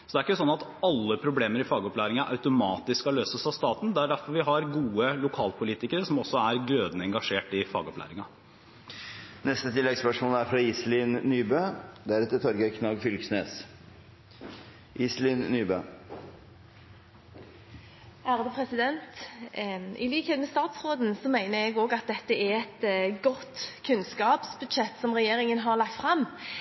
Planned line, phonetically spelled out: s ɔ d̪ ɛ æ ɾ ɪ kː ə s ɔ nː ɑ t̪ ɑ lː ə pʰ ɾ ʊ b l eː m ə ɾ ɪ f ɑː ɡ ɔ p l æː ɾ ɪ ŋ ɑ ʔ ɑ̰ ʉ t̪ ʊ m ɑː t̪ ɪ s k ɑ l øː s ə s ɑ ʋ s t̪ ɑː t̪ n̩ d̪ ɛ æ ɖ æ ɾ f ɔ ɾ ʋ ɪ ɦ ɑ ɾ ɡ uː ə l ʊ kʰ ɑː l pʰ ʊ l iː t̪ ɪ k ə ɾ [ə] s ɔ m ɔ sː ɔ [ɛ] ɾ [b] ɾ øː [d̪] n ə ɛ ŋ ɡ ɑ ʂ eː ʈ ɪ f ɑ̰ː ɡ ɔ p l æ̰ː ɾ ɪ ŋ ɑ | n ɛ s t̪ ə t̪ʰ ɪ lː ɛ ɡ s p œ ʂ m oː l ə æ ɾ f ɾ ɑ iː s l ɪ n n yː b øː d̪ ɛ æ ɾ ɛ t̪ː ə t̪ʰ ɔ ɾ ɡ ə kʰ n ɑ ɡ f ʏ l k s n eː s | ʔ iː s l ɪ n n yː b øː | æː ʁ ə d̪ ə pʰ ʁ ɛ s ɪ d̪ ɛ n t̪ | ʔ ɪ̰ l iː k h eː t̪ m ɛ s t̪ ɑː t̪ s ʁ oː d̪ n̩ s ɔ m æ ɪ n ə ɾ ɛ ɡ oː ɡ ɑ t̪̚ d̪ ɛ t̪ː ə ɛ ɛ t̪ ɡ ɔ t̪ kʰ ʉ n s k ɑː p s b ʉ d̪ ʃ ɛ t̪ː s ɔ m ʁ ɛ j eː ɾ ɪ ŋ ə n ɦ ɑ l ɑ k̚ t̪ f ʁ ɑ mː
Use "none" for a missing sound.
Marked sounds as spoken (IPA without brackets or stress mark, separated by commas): ə, æ, ɡ, d̪